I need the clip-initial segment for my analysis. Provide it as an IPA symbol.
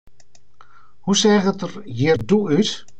h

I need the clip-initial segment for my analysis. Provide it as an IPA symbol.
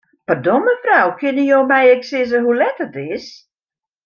p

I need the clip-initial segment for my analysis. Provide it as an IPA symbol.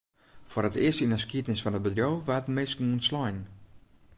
f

